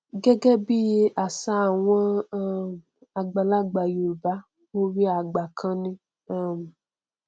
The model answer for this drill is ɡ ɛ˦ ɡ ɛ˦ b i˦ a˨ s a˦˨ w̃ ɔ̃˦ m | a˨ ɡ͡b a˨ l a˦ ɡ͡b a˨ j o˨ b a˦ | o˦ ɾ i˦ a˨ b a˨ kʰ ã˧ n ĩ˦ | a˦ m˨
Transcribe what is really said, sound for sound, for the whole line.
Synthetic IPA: ɡ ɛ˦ ɡ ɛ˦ b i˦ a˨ s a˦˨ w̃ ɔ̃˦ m | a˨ ɡ͡b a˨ l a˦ ɡ͡b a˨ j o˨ b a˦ | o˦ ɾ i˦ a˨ ɡ͡b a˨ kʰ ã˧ n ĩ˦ | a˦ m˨